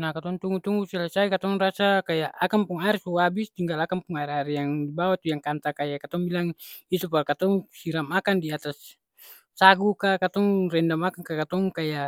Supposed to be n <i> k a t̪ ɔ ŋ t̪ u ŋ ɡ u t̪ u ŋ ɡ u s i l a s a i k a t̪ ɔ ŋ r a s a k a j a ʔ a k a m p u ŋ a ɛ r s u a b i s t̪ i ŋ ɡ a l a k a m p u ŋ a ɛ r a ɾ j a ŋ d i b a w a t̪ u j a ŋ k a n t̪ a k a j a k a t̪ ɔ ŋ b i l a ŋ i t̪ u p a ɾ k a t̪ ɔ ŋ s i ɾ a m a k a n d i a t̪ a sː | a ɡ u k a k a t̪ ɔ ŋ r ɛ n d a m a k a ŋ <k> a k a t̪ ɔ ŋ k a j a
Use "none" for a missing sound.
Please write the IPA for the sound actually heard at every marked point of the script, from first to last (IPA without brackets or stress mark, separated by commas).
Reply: a, k